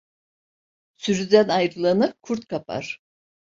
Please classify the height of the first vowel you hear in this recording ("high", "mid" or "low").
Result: high